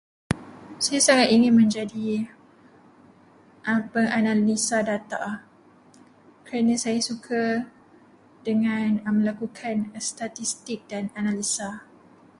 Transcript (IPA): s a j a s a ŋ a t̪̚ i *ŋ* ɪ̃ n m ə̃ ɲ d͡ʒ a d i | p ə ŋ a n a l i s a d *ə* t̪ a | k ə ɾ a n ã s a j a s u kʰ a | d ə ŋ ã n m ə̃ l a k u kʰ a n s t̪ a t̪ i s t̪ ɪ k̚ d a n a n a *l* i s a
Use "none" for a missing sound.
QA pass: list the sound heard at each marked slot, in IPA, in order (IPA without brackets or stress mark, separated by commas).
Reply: ŋ, a, l